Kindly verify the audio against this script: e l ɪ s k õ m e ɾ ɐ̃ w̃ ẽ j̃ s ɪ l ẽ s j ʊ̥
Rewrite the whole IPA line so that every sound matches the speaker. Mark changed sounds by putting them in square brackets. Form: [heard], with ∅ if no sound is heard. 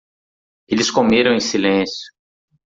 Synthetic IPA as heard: e l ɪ s k [o] m e ɾ ɐ̃ w̃ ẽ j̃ s [i] l ẽ s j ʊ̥

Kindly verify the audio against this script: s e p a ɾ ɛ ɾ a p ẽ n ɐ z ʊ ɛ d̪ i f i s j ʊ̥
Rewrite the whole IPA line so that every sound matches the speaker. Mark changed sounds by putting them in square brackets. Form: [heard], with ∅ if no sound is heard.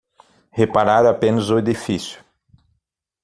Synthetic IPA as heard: [h] e p a ɾ [a] ɾ a p ẽ n ɐ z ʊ [e] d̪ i f i s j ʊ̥

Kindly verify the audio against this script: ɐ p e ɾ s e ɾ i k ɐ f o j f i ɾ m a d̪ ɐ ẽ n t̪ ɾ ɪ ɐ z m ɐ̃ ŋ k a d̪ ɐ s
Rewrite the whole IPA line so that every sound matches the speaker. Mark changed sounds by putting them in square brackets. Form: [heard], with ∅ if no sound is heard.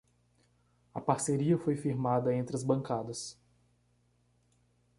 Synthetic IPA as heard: ɐ p [a] ɾ s e ɾ i [∅] ɐ f o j f i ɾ m a d̪ ɐ ẽ n t̪ ɾ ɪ ɐ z [b] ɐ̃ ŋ k a d̪ ɐ s

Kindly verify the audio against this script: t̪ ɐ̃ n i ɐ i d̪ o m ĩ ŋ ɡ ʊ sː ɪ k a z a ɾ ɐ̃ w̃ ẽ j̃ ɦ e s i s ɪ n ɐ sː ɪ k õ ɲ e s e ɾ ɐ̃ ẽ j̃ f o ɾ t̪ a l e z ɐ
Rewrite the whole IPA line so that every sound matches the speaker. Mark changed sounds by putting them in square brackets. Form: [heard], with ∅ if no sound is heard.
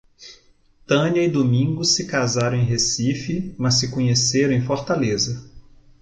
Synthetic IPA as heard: t̪ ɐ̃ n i ɐ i d̪ o m ĩ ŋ ɡ ʊ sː ɪ k a z a ɾ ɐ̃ w̃ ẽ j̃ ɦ e s i [f] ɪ [m] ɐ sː ɪ k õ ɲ e s e ɾ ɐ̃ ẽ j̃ f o ɾ t̪ a l e z ɐ

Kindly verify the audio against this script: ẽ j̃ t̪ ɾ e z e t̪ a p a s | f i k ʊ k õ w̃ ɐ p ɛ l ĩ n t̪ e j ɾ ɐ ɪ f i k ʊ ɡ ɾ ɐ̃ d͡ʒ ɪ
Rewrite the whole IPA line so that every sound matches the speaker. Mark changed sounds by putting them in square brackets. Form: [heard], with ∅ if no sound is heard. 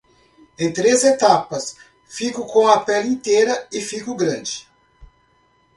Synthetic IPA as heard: ẽ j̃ t̪ ɾ e z e t̪ a p [ɐ] s | f i k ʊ k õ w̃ ɐ p ɛ l ĩ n t̪ e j ɾ ɐ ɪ f i k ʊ ɡ ɾ ɐ̃ d͡ʒ ɪ

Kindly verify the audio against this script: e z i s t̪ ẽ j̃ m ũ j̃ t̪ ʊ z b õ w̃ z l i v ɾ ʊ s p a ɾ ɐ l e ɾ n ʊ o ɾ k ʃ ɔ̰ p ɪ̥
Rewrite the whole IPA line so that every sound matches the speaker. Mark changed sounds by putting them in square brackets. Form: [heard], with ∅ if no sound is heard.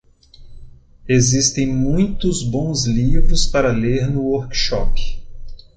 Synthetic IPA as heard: e z i s t̪ ẽ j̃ m ũ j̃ t̪ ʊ z b õ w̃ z l i v ɾ ʊ s p a ɾ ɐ l e ɾ n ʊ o ɾ k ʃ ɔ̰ p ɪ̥

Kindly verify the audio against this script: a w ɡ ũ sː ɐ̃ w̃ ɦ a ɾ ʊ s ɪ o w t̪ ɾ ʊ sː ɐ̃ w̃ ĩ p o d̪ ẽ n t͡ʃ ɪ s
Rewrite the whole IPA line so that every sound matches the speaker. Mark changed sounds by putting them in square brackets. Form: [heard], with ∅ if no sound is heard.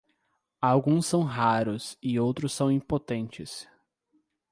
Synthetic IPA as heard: a w ɡ ũ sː ɐ̃ w̃ ɦ a ɾ ʊ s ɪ o w t̪ ɾ ʊ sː ɐ̃ w̃ ĩ p o [t̪] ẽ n t͡ʃ ɪ s

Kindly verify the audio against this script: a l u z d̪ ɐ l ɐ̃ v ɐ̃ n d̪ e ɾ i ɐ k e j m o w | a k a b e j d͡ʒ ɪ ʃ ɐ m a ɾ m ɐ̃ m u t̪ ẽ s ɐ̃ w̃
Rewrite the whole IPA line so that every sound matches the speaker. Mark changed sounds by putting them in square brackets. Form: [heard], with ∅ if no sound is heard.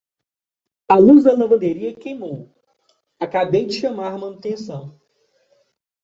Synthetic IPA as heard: a l u z d̪ ɐ l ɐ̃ v ɐ̃ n d̪ e ɾ i ɐ k e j m o w | a k a b e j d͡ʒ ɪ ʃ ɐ m a ɾ m ɐ̃ [n] u t̪ ẽ s ɐ̃ w̃

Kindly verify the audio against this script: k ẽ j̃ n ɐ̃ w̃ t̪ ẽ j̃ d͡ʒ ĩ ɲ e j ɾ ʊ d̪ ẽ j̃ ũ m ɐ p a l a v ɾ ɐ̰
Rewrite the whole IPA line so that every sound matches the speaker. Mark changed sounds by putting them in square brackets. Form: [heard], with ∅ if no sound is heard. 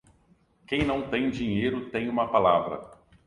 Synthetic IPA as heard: k ẽ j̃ n ɐ̃ w̃ t̪ ẽ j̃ d͡ʒ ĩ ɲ e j ɾ ʊ [t̪] ẽ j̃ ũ m ɐ p a l a v ɾ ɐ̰

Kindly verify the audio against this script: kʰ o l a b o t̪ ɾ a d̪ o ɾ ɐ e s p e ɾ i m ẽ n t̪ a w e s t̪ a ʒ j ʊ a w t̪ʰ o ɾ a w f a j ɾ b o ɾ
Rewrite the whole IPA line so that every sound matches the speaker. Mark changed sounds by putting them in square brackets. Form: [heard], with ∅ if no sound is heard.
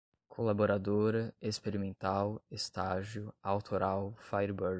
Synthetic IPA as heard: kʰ o l a b o [∅] ɾ a d̪ o ɾ ɐ e s p e ɾ i m ẽ n t̪ a w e s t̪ a ʒ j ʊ a w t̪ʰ o ɾ a w f a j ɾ b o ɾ

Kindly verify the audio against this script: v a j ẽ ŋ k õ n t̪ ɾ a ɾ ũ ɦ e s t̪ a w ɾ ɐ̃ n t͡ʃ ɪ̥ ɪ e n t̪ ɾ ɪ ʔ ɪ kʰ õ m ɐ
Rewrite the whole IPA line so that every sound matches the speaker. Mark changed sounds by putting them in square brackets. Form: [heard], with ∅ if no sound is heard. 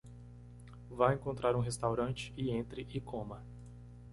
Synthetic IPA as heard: v a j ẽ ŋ k õ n t̪ ɾ a ɾ ũ ɦ e s t̪ a w ɾ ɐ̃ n t͡ʃ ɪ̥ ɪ [ẽ] n t̪ ɾ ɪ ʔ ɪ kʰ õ m ɐ

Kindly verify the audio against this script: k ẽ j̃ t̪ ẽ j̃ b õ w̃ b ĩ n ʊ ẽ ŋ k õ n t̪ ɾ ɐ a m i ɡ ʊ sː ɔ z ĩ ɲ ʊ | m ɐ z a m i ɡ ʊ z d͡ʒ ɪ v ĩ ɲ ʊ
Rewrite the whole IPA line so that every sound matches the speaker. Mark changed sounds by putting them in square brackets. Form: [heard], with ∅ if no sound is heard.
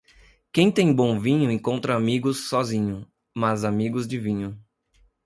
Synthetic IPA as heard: k ẽ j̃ t̪ ẽ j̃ b õ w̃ [v] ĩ [ɲ] ʊ ẽ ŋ k õ n t̪ ɾ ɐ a m i ɡ ʊ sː ɔ z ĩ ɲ ʊ | m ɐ z a m i ɡ ʊ z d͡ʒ ɪ v ĩ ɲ ʊ

